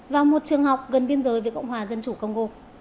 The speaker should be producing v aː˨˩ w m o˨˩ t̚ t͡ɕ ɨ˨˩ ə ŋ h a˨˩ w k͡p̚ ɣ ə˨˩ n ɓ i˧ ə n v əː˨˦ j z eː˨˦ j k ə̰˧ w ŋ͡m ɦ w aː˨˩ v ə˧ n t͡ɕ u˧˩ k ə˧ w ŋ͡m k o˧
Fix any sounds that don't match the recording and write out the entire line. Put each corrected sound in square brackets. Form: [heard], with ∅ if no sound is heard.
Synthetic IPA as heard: v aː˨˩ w m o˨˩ t̚ t͡ɕ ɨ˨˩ ə ŋ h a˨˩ w k͡p̚ ɣ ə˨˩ n ɓ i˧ ə n [z] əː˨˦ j [v] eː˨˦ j k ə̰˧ w ŋ͡m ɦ w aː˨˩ [z] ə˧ n t͡ɕ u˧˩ k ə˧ w ŋ͡m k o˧